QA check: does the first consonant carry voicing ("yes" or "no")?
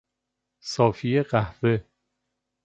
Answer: no